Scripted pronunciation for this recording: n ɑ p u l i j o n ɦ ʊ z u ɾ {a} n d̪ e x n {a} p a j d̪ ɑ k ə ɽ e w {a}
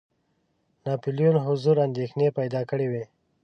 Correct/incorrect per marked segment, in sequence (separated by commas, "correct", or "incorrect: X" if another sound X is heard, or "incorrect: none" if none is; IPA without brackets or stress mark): correct, incorrect: e, incorrect: e